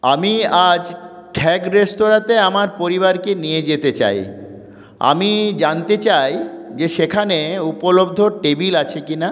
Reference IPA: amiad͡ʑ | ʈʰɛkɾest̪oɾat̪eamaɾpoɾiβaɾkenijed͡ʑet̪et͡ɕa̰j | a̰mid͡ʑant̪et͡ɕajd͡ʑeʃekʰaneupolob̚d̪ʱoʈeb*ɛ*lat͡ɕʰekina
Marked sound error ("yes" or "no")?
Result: yes